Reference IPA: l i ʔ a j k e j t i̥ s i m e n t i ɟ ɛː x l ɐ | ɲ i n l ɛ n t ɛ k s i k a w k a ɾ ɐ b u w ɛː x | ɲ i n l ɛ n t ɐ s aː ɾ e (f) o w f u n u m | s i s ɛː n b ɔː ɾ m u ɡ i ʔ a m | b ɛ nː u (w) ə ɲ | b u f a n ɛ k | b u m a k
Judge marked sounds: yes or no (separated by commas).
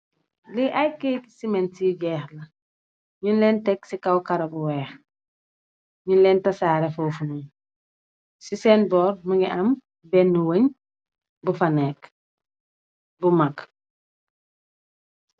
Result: yes, yes